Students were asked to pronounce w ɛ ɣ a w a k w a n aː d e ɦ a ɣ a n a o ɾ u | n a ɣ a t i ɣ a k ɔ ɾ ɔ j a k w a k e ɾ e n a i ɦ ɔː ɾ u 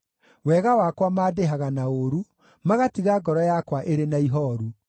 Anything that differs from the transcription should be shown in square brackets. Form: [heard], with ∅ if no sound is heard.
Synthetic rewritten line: w ɛ ɣ a w a k w a [m] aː d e ɦ a ɣ a n a o ɾ u | [m] a ɣ a t i ɣ a [ɡ] ɔ ɾ ɔ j a k w a [ʔ] e ɾ e n a i ɦ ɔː ɾ u